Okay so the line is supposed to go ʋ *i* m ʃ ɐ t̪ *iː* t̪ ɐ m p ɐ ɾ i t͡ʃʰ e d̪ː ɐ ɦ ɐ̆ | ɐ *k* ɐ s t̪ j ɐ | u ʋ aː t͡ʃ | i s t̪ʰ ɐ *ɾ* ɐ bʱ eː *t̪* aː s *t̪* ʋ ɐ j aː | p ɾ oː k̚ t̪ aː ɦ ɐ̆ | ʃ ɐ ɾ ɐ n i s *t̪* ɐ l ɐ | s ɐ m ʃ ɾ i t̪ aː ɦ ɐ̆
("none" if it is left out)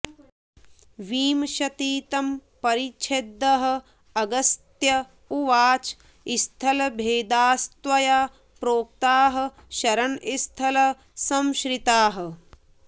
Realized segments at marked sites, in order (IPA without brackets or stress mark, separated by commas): iː, iː, ɡ, l, d̪, t̪, t̪ʰ